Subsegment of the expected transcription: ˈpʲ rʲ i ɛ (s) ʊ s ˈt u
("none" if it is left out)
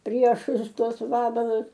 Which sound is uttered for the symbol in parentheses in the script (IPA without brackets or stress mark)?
ʃ